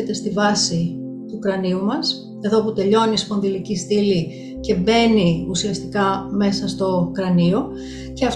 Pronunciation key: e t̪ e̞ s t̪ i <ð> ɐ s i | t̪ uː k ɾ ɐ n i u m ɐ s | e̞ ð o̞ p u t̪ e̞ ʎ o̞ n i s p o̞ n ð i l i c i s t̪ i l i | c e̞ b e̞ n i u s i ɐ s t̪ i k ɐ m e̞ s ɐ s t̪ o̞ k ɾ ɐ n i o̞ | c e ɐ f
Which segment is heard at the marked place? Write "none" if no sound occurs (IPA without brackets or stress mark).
v